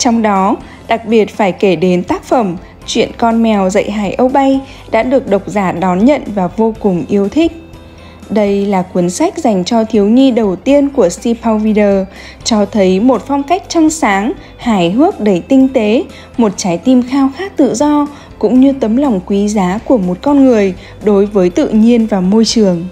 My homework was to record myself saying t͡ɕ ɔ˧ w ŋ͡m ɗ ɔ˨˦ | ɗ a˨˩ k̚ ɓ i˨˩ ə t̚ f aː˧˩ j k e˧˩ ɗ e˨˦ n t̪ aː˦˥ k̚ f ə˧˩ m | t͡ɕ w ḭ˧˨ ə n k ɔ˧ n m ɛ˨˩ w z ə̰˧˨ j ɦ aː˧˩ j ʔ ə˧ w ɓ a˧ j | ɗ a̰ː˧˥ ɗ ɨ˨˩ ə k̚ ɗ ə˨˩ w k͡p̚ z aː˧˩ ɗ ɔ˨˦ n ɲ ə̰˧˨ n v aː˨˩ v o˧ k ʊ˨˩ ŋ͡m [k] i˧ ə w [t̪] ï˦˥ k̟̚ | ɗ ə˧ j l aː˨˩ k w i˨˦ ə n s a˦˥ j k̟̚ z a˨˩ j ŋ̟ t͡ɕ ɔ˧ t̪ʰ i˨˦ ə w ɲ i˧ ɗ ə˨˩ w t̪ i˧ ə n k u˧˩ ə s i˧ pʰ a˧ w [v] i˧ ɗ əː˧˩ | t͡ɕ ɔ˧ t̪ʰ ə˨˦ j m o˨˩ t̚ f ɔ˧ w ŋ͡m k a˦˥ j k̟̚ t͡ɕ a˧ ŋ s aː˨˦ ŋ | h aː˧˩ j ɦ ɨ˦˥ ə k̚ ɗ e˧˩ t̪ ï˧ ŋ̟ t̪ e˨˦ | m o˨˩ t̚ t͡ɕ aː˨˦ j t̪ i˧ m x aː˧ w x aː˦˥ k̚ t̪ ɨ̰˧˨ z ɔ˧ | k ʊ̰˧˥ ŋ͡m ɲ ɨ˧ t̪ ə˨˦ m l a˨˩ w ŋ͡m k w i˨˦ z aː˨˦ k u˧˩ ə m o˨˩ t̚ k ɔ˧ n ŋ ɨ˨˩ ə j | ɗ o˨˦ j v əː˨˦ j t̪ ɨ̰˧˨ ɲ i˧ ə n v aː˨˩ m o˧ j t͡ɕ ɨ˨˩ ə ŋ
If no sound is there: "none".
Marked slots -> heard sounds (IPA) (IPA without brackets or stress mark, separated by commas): ʔ, t̪ʰ, v